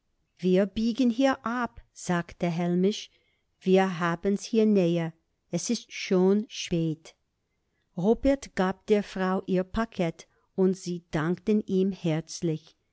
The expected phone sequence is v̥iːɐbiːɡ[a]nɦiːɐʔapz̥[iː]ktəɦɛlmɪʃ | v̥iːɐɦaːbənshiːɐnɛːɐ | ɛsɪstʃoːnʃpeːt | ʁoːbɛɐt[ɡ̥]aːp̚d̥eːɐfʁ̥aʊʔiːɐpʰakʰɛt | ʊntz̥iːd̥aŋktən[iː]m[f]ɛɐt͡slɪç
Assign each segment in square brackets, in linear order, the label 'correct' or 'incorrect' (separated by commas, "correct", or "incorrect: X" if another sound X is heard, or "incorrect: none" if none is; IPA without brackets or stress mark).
incorrect: ə, incorrect: aː, correct, correct, incorrect: h